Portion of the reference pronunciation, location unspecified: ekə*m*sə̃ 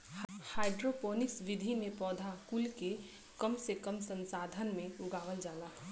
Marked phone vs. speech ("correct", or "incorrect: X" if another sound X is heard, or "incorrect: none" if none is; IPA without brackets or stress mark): correct